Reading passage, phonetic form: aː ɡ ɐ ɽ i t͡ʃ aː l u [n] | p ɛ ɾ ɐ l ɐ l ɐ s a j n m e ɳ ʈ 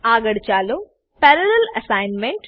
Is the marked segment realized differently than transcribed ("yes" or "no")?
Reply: yes